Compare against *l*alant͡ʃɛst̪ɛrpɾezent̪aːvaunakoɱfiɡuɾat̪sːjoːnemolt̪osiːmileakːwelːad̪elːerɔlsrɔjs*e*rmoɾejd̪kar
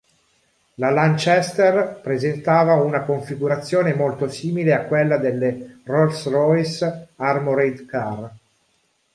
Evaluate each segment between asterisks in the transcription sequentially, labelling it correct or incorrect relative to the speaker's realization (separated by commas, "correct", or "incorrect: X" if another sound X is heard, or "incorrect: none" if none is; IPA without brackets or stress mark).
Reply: correct, incorrect: a